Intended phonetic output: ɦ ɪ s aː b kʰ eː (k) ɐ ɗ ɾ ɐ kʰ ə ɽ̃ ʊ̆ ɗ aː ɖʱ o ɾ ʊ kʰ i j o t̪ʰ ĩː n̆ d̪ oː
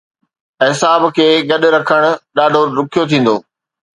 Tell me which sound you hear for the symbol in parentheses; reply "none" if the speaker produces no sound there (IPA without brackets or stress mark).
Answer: ɡ